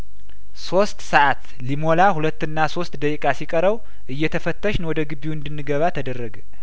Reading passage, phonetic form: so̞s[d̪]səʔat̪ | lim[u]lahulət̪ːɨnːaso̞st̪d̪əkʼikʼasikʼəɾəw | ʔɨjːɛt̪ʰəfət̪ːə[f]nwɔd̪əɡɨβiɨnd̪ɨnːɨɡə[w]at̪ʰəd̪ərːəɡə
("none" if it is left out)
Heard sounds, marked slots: t̪, o, ʃ, β

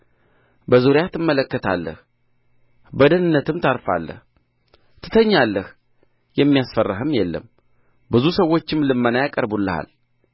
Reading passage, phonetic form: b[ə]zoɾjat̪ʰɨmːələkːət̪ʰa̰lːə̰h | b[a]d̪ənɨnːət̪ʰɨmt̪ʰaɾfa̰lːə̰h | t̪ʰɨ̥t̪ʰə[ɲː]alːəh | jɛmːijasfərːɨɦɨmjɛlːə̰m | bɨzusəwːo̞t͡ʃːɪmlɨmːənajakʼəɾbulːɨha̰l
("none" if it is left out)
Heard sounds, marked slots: ə, ə, ɲː

